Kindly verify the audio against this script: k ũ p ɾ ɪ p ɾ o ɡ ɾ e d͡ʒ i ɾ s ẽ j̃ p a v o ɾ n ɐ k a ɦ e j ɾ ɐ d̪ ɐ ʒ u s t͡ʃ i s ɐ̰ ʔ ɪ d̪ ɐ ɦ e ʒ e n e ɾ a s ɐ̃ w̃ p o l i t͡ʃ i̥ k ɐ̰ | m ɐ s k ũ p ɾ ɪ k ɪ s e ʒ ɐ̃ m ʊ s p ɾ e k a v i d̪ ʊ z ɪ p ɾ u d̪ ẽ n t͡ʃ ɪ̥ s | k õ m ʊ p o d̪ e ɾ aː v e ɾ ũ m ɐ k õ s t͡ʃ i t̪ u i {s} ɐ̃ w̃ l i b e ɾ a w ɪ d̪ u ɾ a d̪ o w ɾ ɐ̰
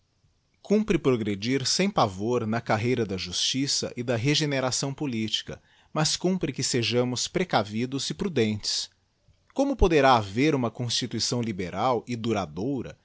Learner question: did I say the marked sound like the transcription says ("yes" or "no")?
yes